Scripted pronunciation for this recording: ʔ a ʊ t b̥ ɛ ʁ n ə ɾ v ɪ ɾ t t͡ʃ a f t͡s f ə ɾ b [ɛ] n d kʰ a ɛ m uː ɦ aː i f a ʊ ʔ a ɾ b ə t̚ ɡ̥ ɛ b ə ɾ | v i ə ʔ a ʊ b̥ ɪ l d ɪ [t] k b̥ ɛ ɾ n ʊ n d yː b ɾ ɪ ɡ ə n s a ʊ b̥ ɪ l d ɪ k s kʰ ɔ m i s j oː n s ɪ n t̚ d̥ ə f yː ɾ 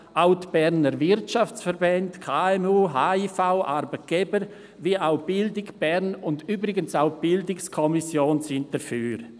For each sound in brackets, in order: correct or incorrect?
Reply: correct, incorrect: none

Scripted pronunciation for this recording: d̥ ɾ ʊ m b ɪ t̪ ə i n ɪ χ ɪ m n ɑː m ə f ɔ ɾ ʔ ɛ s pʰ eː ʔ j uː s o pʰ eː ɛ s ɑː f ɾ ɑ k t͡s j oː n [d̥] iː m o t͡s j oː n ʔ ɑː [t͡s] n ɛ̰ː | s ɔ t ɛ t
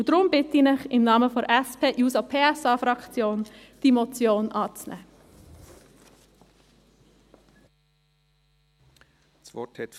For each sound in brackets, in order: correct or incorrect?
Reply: correct, correct

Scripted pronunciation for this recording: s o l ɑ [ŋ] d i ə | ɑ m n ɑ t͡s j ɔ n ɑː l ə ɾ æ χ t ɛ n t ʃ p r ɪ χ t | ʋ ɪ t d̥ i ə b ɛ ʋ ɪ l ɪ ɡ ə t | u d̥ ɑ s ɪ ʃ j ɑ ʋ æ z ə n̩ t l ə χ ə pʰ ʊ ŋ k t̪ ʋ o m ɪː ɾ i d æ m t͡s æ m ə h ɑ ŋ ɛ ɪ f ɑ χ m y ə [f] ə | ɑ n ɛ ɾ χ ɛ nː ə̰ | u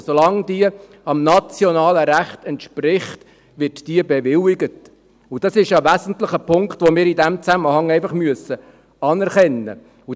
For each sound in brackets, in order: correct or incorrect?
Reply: correct, incorrect: s

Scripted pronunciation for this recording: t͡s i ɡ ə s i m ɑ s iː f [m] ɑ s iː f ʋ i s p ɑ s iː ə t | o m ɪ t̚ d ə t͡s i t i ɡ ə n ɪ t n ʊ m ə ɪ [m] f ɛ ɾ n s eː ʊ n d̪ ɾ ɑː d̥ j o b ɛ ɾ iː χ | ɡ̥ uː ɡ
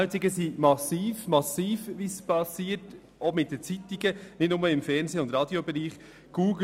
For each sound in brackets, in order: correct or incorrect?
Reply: correct, correct

